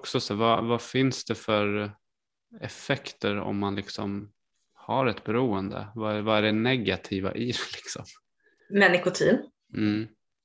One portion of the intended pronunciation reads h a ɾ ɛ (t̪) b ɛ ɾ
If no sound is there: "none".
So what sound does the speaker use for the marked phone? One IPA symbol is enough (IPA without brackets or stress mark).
t̪